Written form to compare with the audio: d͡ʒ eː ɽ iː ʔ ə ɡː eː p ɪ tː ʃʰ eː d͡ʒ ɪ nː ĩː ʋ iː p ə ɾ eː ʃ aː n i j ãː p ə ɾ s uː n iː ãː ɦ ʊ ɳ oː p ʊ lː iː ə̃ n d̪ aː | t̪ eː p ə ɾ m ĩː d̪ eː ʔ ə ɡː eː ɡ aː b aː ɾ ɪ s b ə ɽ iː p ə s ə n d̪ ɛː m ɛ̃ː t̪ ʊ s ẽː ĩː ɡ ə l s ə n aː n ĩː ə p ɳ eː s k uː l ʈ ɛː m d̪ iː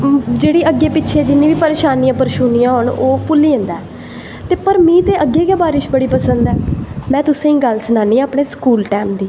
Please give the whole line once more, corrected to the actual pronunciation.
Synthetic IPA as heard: d͡ʒ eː ɽ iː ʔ ə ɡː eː p ɪ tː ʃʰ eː d͡ʒ ɪ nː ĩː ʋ iː p ə ɾ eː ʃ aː n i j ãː p ə ɾ ʃ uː n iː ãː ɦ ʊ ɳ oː p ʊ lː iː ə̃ n d̪ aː | t̪ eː p ə ɾ m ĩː t̪ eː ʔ ə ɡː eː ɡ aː b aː ɾ ɪ ʃ b ə ɽ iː p ə s ə n d̪ ɛː m ɛ̃ː t̪ ʊ s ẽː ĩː ɡ ə l s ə n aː n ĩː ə p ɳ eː s k uː l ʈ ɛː m d̪ iː